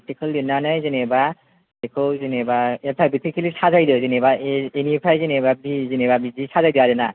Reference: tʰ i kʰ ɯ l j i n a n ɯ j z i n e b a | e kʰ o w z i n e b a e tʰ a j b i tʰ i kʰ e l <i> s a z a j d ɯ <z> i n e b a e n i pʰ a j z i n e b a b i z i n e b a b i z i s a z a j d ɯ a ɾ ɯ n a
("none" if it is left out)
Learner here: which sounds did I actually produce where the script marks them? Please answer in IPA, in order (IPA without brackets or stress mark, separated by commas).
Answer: i, z